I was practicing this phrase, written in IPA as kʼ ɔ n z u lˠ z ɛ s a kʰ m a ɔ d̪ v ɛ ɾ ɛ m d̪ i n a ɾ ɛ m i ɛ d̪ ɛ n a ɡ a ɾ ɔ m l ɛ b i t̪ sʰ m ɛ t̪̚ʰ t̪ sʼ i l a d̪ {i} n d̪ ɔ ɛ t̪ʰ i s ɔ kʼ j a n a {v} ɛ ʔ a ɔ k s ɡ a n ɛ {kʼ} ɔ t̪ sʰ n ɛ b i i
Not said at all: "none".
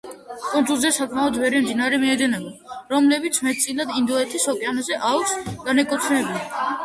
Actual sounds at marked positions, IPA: i, z, kʼ

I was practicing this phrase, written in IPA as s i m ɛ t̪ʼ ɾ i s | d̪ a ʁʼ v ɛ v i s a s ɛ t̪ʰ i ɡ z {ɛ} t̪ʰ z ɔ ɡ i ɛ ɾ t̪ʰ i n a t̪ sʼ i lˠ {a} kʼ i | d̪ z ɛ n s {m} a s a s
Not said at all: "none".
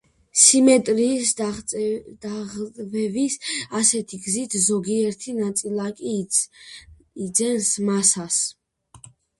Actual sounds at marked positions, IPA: i, a, m

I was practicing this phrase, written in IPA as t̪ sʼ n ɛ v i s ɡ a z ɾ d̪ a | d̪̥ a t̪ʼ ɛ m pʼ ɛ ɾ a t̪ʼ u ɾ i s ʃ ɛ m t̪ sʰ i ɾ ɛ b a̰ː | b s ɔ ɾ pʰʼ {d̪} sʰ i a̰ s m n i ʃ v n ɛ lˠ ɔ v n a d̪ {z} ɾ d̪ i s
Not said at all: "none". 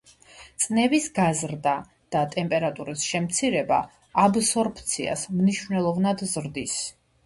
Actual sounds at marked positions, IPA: t̪, z

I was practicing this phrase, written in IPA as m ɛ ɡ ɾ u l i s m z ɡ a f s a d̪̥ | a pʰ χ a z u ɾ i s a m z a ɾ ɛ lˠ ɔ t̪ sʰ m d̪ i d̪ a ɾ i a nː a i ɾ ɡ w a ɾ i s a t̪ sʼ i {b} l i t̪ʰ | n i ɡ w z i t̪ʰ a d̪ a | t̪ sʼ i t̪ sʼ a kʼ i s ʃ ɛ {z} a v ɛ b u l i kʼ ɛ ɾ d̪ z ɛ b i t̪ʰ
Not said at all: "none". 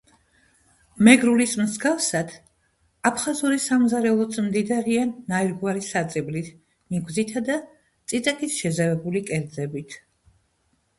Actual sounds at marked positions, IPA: b, z

